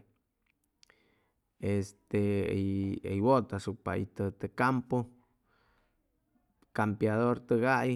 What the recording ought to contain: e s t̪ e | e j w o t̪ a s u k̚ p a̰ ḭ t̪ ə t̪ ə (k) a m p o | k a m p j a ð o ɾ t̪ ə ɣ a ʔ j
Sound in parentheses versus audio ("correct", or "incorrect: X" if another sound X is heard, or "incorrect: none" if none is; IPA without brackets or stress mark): correct